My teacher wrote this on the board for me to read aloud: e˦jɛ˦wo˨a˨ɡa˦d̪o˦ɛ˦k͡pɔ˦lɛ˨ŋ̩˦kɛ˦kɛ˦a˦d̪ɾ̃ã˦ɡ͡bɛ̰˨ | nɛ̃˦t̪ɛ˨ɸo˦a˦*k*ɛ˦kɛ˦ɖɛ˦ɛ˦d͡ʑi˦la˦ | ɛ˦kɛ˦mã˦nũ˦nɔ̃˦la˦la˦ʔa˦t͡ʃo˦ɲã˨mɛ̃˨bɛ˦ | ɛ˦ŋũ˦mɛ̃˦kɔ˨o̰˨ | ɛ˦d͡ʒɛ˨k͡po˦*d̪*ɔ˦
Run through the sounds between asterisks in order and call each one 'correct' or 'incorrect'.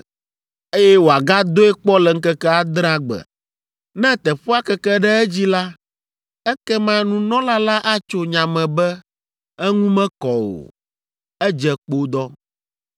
correct, correct

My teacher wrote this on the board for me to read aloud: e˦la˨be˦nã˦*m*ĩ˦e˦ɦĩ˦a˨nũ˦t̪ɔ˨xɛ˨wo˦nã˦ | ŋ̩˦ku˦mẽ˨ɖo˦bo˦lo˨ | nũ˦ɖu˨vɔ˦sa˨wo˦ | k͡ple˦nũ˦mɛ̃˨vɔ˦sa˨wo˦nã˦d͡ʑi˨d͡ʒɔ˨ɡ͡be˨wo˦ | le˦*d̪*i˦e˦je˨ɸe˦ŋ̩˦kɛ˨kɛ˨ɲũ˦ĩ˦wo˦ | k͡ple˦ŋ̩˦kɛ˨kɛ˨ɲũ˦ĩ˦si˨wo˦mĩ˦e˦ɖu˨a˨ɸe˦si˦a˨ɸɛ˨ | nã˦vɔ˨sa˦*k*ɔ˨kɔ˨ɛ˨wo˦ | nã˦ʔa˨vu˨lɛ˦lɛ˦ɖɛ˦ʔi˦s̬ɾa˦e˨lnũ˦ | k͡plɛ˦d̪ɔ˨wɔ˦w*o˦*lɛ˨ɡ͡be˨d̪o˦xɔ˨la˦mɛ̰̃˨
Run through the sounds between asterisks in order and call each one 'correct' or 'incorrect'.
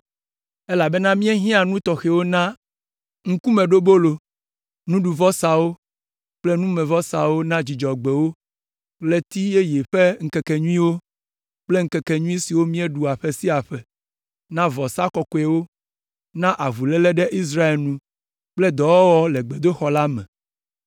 correct, incorrect, correct, incorrect

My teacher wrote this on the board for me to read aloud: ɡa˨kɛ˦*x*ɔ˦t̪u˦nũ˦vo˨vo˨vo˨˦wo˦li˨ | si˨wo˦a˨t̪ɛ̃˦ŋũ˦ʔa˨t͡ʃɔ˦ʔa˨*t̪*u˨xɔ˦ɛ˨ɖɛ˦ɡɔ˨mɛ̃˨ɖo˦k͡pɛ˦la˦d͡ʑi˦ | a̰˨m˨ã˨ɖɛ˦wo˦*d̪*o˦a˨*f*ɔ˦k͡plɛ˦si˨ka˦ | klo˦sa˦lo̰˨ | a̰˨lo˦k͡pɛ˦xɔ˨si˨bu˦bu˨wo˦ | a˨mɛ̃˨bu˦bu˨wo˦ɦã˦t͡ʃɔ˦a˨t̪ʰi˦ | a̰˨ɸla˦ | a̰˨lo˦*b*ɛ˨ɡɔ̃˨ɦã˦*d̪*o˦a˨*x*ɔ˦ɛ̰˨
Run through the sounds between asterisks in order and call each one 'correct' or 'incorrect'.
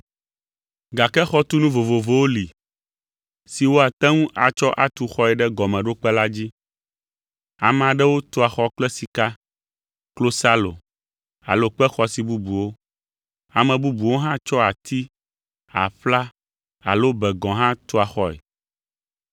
correct, correct, incorrect, incorrect, correct, incorrect, correct

